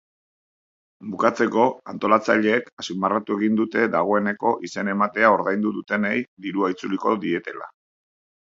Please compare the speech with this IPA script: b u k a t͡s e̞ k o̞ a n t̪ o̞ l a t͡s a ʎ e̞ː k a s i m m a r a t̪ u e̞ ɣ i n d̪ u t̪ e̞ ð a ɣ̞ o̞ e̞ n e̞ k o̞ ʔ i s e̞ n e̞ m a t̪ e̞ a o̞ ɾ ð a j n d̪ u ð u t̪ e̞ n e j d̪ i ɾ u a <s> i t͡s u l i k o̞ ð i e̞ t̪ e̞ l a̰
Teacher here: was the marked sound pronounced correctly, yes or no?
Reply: no